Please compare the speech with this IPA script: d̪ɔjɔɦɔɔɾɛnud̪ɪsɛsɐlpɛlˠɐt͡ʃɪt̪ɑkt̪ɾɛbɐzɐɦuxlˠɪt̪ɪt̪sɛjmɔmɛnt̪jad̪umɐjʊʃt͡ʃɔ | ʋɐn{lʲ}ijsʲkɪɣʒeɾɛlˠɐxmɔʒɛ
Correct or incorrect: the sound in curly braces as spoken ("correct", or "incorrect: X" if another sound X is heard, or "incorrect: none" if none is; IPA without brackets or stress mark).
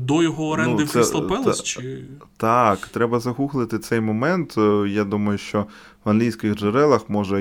correct